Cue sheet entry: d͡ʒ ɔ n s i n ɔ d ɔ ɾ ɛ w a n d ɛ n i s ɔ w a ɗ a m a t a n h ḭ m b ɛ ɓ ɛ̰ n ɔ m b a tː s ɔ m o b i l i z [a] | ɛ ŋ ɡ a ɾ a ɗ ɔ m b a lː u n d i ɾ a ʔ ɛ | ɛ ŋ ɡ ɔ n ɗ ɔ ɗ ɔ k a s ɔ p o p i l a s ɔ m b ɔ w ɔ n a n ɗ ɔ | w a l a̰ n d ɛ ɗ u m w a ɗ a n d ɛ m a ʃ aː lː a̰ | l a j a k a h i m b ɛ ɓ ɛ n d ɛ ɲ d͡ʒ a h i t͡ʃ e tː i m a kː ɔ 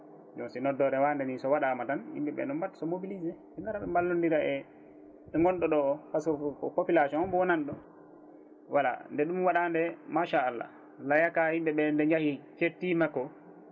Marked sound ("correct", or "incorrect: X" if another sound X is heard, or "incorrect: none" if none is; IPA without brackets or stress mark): incorrect: ɛ